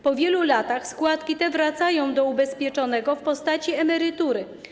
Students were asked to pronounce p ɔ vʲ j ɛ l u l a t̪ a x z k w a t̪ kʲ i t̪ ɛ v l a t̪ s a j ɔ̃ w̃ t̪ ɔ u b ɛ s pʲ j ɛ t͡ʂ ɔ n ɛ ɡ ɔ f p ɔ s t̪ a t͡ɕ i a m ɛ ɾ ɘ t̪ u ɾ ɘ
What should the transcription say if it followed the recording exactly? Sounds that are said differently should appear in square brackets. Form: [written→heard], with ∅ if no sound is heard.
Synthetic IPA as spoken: p ɔ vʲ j ɛ l u l a t̪ a x [z→s] k w a t̪ kʲ i t̪ ɛ v [l→ɾ] a t̪ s a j ɔ̃ w̃ [t̪→d̪] ɔ u b ɛ s pʲ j ɛ t͡ʂ ɔ n ɛ ɡ ɔ f p ɔ s t̪ a t͡ɕ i [a→ɛ] m ɛ ɾ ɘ t̪ u ɾ ɘ